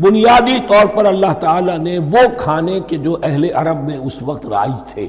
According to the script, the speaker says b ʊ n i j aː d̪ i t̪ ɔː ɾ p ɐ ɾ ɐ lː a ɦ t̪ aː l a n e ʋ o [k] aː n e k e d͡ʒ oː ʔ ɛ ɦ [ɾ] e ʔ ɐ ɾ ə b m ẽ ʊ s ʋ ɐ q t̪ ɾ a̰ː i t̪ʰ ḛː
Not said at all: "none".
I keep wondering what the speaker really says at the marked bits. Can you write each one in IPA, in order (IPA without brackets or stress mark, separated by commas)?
kʰ, l